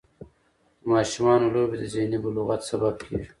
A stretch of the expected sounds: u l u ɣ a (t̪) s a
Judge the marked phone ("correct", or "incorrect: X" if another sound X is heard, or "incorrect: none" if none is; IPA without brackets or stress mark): correct